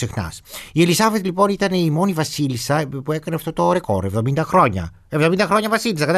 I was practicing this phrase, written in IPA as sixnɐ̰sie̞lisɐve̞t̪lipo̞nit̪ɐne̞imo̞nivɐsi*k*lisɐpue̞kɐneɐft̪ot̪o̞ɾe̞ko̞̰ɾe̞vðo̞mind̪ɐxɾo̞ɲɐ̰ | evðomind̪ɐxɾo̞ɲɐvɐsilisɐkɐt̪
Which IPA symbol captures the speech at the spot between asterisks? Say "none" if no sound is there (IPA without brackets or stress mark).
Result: none